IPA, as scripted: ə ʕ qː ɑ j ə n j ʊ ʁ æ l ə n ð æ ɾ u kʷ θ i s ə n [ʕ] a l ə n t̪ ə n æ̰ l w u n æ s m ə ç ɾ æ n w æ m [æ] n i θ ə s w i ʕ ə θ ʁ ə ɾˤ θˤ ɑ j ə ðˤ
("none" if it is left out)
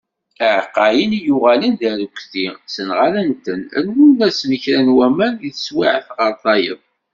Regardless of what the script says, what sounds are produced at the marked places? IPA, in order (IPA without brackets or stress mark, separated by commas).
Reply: ʁ, æ